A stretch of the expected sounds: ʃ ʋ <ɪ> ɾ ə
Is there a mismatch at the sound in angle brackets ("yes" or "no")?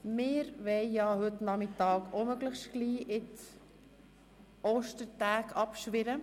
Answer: no